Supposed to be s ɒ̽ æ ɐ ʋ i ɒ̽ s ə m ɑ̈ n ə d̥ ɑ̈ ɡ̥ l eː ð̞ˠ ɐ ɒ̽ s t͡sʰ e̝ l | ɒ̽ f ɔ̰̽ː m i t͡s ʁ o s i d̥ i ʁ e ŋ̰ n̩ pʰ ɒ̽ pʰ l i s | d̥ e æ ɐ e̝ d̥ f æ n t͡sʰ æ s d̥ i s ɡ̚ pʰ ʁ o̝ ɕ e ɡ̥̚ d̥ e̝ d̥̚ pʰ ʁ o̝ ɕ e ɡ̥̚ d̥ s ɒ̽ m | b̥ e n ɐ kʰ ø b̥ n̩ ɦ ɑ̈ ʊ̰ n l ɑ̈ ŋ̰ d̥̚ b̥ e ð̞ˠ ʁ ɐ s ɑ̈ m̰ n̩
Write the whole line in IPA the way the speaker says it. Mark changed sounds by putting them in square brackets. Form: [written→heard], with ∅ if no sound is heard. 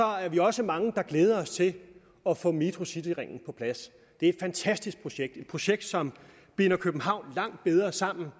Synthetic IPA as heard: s ɒ̽ æ ɐ ʋ i ɒ̽ s ə m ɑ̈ [n→ŋ] ə d̥ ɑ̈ ɡ̥ l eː ð̞ˠ ɐ ɒ̽ s t͡sʰ e̝ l | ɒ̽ f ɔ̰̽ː m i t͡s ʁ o s i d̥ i ʁ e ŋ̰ n̩ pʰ ɒ̽ pʰ l [i→æ] s | d̥ e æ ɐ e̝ d̥ f æ n t͡sʰ æ s d̥ i s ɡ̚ pʰ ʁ o̝ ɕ e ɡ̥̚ d̥ e̝ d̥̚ pʰ ʁ o̝ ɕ e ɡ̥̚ d̥ s ɒ̽ m | b̥ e n ɐ kʰ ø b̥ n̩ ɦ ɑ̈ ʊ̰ n l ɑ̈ ŋ̰ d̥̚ b̥ e ð̞ˠ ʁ ɐ s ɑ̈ m̰ n̩